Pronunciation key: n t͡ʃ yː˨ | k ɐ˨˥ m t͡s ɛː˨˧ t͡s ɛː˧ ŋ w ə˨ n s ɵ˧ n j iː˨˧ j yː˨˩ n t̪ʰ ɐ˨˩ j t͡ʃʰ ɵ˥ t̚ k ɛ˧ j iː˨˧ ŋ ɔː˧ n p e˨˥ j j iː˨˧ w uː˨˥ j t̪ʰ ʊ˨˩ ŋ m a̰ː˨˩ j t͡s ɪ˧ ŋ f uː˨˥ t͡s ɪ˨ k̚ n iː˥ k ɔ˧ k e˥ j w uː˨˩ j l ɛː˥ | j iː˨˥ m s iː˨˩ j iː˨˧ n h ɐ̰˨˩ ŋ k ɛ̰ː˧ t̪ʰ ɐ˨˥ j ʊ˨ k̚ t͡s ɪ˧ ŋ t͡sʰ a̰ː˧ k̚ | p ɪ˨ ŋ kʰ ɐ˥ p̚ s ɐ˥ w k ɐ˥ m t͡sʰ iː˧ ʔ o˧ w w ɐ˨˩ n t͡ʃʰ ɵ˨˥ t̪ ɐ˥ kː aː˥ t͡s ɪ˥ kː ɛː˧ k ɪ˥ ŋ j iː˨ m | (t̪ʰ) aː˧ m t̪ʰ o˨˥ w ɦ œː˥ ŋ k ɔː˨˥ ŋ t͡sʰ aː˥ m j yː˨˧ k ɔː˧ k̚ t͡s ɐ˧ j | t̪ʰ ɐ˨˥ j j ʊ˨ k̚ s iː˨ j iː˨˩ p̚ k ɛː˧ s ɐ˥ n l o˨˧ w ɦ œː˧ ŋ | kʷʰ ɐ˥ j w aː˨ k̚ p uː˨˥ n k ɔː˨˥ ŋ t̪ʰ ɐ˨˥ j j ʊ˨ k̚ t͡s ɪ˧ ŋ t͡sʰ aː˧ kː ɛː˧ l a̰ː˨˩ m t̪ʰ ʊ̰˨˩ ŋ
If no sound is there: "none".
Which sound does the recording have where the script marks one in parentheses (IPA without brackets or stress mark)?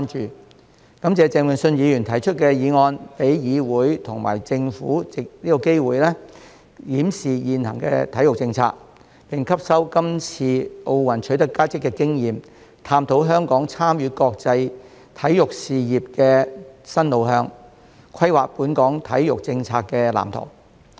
t̪ʰ